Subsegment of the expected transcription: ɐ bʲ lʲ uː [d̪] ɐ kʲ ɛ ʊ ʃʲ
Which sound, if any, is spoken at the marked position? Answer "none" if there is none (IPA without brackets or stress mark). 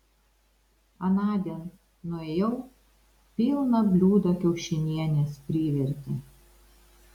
d̪